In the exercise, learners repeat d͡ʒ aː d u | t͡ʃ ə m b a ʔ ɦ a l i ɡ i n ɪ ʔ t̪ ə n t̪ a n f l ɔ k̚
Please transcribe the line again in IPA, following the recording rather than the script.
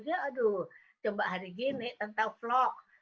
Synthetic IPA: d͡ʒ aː d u | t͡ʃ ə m b a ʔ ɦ a ɾ i ɡ i n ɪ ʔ t̪ ə n t̪ a ŋ f l ɔ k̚